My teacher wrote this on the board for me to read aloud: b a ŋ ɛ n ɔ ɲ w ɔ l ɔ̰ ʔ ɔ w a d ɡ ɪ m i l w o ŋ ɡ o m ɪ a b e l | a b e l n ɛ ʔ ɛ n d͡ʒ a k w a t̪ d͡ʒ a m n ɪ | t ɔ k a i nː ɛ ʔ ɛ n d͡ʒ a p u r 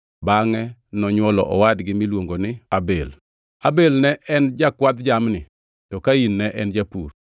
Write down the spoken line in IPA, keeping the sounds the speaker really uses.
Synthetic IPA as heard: b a ŋ ɛ n ɔ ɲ w ɔ l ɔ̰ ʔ ɔ w a d ɡ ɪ m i l w o ŋ ɡ o n ɪ a b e l | a b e l n ɛ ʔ ɛ n d͡ʒ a k w a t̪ d͡ʒ a m n ɪ | t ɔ k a i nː ɛ ʔ ɛ n d͡ʒ a p u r